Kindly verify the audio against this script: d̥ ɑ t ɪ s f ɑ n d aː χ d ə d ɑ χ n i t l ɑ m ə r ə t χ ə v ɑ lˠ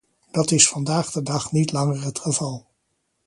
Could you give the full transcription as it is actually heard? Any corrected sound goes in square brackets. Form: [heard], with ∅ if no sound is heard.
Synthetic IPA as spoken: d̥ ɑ t ɪ s f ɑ n d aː χ d ə d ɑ χ n i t l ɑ [ŋ] ə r ə t χ ə v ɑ lˠ